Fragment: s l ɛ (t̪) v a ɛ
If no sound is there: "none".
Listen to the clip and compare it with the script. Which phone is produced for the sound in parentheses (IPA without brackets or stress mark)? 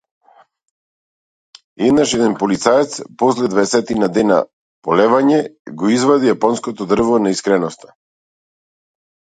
d̪